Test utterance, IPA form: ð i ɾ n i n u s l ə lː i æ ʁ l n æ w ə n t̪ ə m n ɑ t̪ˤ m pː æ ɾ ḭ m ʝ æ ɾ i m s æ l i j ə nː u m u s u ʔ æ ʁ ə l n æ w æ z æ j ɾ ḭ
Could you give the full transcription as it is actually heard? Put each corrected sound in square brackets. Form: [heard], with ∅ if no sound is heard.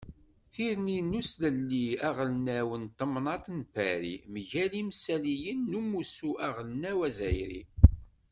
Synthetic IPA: [θ] i ɾ n i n u s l ə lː i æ ʁ l n æ w ə n t̪ ə m n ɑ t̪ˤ [n] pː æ ɾ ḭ m ʝ æ [l] i m s æ l i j ə nː u m u s u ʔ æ ʁ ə l n æ w æ z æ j ɾ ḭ